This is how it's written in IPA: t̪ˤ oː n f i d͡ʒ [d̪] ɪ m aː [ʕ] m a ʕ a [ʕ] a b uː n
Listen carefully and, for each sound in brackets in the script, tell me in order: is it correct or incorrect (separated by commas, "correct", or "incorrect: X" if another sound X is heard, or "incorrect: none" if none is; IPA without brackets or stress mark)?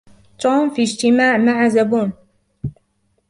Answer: incorrect: t̪, correct, incorrect: z